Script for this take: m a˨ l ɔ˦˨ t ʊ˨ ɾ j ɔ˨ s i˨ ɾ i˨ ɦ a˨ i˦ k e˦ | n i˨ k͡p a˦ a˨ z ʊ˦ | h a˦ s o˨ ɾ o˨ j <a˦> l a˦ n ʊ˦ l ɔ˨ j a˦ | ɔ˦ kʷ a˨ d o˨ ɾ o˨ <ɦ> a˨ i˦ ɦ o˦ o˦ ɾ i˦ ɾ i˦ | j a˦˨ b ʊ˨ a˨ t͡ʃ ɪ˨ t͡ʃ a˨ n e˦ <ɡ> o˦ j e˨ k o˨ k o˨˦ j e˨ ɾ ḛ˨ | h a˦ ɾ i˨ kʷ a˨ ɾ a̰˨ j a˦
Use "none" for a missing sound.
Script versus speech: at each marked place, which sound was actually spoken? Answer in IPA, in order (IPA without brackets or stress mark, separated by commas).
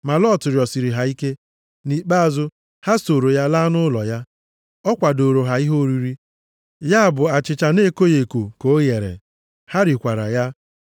a˦, ɦ, k